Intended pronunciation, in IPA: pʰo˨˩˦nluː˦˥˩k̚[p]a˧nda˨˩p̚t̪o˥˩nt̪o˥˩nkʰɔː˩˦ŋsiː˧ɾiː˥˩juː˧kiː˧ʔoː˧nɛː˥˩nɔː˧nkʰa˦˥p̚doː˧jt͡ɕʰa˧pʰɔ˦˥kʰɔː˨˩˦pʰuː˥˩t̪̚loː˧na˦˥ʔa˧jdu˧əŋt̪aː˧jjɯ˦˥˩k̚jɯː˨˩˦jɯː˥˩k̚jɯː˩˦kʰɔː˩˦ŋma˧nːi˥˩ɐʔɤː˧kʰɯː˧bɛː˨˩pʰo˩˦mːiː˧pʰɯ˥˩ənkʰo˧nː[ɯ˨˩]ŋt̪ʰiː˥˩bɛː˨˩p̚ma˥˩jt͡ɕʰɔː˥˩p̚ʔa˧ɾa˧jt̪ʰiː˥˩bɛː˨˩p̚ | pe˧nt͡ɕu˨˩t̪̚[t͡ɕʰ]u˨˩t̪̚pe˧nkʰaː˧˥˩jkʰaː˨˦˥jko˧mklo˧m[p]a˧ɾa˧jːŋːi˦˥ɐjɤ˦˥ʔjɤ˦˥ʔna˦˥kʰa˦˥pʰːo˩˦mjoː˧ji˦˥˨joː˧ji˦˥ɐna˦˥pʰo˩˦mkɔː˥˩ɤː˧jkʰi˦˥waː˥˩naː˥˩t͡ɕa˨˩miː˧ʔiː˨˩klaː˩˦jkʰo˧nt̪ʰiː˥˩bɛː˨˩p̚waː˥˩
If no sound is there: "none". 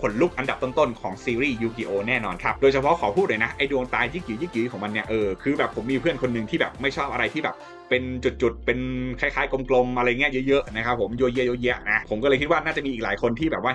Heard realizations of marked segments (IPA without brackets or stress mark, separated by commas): ʔ, ɯ˨˩, t͡ɕ, ʔ